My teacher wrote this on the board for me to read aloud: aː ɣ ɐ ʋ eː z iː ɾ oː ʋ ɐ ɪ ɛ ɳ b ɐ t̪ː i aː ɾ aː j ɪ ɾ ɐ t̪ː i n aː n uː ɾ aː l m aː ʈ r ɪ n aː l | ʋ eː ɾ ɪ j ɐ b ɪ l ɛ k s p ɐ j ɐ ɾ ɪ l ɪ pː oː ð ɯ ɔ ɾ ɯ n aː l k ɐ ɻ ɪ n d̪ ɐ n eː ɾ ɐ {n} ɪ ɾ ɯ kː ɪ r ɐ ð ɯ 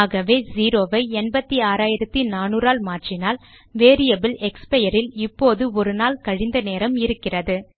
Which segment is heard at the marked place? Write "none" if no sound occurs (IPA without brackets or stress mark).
m